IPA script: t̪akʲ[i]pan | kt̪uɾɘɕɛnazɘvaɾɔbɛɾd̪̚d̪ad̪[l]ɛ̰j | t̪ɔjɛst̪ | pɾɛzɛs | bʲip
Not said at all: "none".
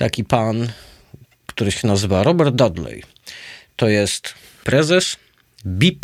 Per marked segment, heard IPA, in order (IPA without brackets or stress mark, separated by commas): i, l